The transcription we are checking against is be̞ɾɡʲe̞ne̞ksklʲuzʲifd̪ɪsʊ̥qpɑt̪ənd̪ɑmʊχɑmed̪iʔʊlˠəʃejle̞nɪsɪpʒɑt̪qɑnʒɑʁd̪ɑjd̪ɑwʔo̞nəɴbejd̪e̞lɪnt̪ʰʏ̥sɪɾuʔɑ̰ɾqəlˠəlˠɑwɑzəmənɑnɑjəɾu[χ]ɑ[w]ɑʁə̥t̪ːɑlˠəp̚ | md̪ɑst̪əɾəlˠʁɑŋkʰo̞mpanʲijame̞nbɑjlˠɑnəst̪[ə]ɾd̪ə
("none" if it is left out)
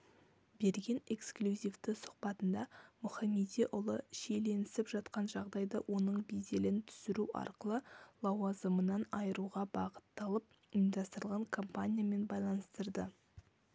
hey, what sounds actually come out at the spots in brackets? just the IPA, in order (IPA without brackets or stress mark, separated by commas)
ʁ, b, ə